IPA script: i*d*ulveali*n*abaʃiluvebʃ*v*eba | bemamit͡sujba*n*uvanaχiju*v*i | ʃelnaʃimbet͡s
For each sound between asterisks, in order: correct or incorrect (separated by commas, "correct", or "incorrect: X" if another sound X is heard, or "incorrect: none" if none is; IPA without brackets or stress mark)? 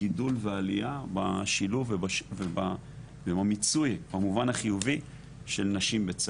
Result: correct, incorrect: none, correct, incorrect: m, correct